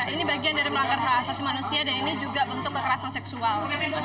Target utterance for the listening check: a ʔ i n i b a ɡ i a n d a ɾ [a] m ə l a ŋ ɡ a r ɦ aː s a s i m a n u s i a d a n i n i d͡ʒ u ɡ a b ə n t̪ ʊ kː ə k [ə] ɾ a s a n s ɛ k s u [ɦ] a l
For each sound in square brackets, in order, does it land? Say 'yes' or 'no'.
no, yes, no

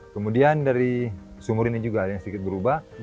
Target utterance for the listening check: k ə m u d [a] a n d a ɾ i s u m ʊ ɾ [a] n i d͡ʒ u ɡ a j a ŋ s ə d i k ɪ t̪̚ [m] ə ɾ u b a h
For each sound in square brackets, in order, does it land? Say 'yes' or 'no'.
no, no, no

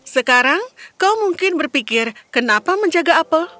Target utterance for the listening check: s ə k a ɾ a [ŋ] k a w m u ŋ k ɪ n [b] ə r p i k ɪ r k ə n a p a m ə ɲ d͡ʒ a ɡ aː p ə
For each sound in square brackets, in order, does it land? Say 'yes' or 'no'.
yes, yes

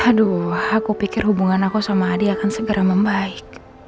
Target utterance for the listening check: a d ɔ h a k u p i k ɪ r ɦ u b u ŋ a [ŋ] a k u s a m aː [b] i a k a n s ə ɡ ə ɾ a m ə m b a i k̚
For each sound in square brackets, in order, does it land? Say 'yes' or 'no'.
no, no

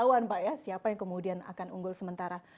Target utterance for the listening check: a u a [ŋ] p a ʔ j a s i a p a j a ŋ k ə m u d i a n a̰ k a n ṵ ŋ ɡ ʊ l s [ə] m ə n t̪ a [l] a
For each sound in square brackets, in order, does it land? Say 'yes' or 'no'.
no, yes, no

